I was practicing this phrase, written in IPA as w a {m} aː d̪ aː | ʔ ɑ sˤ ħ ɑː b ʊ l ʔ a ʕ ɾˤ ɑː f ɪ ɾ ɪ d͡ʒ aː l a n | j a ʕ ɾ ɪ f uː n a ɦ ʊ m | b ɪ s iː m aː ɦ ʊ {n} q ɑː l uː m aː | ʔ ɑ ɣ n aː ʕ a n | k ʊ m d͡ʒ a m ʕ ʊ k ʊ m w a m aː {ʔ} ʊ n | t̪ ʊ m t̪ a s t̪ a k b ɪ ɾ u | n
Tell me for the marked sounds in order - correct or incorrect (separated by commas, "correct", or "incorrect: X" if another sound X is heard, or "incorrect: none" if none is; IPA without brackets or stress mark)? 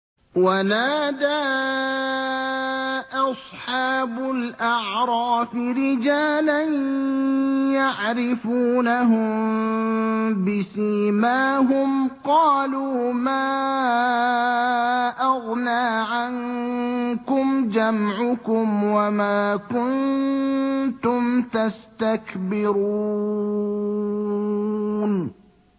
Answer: incorrect: n, incorrect: m, incorrect: k